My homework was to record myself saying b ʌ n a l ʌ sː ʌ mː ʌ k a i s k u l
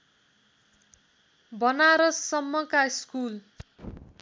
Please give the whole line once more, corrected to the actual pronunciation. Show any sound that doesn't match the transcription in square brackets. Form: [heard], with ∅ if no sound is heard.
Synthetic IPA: b ʌ n a [ɾ] ʌ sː ʌ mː ʌ k a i s k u l

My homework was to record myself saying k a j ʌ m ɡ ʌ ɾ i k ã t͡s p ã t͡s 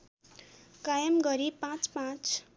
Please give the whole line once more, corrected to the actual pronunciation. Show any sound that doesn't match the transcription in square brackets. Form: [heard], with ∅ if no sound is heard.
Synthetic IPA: k a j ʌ m ɡ ʌ ɾ i [p] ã t͡s p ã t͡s

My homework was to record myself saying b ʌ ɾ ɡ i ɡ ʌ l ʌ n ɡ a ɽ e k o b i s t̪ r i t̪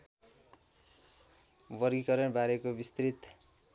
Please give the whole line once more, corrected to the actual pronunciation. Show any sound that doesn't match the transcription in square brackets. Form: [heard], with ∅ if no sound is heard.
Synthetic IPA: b ʌ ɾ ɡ i [k] ʌ [ɾ] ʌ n [b] a [ɾ] e k o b i s t̪ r i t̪

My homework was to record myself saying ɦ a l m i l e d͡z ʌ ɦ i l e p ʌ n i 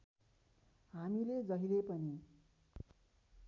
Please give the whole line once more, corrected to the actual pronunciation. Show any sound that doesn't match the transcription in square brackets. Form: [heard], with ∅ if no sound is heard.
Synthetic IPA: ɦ a [∅] m i l e d͡z ʌ ɦ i l e p ʌ n i

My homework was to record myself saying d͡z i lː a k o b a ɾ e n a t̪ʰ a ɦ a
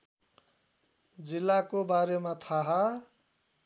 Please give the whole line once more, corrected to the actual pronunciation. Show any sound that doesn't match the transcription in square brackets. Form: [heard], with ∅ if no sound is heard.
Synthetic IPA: d͡z i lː a k o b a ɾ e [m] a t̪ʰ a ɦ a

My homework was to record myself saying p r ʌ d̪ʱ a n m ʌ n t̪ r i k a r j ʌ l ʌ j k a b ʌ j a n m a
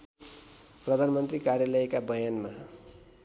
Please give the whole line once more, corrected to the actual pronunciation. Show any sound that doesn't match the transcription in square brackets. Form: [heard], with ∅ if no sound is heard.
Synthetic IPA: p r ʌ d̪ʱ a n m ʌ n t̪ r i k a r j [a] l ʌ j k a b ʌ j a n m a

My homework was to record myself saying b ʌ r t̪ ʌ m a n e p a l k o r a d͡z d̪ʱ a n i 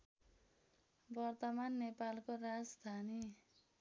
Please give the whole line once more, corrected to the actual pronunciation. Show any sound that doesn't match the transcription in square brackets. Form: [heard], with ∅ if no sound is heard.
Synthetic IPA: b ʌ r t̪ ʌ m a [nː] e p a l k o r a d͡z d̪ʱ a n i

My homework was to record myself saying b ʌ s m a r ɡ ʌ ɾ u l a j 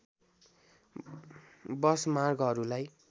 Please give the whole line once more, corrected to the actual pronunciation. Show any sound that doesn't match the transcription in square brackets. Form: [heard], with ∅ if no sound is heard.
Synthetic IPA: b ʌ s m a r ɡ ʌ ɾ u l a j

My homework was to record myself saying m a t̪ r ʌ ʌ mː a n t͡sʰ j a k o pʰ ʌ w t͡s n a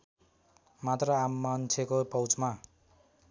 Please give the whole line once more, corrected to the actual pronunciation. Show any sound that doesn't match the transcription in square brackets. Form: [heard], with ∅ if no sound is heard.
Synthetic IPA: m a t̪ r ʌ [a] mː a n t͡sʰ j [e] k o [p] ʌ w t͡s [m] a

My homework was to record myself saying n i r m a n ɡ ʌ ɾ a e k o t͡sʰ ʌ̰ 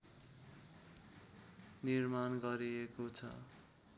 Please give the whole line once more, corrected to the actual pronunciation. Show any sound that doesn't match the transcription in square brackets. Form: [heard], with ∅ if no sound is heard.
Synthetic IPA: n i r m a n ɡ ʌ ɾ [i] e k o t͡sʰ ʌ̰

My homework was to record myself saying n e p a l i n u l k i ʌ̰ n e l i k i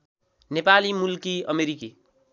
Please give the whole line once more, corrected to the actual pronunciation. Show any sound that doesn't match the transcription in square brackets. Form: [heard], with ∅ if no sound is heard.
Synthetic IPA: n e p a l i [m] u l k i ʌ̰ [m] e [ɾ] i k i

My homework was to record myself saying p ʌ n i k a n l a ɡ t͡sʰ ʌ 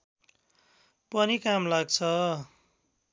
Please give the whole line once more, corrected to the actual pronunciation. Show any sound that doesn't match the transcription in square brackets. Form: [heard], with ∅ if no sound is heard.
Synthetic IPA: p ʌ n i k a [m] l a ɡ t͡sʰ ʌ

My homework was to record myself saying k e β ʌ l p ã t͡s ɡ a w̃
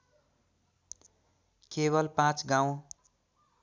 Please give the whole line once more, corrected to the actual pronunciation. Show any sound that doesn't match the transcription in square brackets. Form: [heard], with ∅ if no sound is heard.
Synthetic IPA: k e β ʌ l p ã t͡s ɡ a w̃

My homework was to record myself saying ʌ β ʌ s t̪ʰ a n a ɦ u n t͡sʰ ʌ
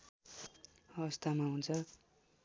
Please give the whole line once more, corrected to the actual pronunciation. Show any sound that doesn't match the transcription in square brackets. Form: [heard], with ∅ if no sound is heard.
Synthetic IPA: ʌ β ʌ s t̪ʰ a [m] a ɦ u n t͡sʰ ʌ

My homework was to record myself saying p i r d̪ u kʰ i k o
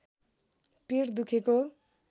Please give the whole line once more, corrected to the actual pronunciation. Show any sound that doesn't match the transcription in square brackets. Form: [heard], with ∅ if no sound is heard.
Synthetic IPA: p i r d̪ u kʰ [e] k o

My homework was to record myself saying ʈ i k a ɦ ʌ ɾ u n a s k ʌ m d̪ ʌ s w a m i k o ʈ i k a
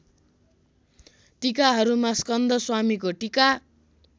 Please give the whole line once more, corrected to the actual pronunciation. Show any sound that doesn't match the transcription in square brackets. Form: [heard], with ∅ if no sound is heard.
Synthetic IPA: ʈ i k a ɦ ʌ ɾ u [m] a s k ʌ [n] d̪ ʌ s w a m i k o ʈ i k a

